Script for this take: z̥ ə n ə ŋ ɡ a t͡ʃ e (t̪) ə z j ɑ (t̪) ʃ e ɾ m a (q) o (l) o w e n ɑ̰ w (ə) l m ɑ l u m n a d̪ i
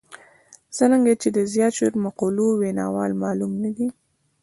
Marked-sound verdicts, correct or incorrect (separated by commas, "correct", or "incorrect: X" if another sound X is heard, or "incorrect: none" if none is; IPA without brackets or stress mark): incorrect: d̪, correct, correct, correct, incorrect: ɑ